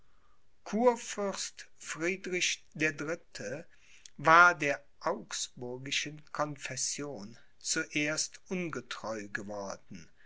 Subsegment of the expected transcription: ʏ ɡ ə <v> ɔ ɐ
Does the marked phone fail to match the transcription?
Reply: no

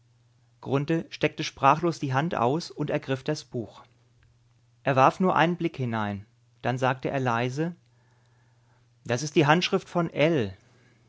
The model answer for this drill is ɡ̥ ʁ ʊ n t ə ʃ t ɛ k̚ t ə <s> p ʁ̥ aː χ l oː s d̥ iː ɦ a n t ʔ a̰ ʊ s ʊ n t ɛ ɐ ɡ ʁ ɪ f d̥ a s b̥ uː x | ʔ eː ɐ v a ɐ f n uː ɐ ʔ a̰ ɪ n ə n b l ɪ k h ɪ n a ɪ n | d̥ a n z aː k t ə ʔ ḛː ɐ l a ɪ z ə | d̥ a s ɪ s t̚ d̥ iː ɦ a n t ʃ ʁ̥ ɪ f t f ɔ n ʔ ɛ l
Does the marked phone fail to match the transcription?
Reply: yes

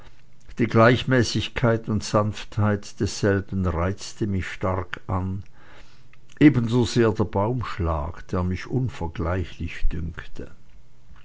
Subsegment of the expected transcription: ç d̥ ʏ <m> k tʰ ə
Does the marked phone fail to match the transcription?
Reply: yes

